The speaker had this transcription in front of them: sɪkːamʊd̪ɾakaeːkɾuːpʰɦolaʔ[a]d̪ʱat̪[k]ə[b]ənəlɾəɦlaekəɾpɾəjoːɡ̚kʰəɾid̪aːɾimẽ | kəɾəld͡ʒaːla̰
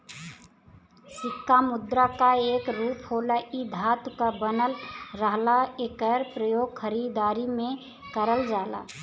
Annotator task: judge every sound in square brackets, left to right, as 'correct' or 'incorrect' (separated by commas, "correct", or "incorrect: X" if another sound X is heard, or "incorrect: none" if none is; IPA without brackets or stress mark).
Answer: incorrect: i, correct, correct